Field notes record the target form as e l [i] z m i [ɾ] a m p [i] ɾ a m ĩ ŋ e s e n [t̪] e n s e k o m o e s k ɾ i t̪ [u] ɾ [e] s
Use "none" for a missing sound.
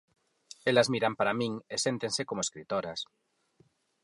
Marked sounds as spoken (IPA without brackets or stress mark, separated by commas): a, ɾ, a, t̪, o, a